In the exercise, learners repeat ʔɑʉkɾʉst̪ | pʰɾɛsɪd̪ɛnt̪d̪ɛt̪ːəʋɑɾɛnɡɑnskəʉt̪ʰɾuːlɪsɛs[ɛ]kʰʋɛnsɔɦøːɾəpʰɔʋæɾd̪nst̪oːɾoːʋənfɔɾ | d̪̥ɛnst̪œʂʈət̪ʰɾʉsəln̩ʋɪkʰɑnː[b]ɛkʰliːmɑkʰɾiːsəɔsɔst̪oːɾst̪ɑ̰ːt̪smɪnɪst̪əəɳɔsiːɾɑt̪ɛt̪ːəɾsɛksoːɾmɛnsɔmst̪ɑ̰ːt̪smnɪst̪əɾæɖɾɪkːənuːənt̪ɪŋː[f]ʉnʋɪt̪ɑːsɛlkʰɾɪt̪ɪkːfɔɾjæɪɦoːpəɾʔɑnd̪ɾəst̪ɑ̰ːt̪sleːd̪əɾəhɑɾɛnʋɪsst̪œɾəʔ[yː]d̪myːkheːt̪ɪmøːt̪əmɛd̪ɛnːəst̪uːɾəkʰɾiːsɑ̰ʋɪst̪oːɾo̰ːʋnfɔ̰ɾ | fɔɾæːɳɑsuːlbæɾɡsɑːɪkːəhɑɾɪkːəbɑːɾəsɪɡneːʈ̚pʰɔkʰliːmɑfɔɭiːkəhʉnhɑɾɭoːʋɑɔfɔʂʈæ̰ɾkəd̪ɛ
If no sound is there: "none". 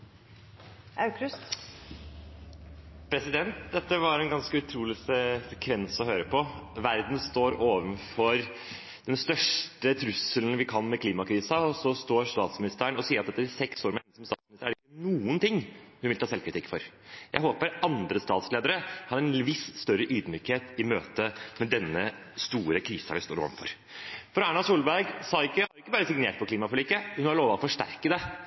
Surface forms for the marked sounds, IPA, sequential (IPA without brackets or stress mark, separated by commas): ɛ, m, h, yː